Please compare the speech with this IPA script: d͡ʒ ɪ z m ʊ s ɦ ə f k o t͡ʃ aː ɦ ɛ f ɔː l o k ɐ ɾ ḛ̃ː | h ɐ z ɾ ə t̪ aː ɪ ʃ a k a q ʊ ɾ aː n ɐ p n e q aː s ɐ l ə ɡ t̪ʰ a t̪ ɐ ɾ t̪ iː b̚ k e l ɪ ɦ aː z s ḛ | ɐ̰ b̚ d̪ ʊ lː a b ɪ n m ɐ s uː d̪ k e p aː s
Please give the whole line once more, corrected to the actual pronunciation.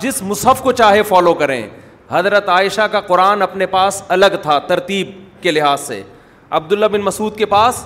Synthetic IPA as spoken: d͡ʒ ɪ s m ʊ s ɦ ə f k o t͡ʃ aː ɦ e f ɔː l o k ɐ ɾ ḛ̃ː | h ɐ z ɾ ə t̪ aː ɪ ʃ a k a q ʊ ɾ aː n ɐ p n e p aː s ɐ l ə ɡ t̪ʰ a t̪ ɐ ɾ t̪ iː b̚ k e l ɪ ɦ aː z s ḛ | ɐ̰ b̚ d̪ ʊ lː a b ɪ n m ɐ s uː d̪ k e p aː s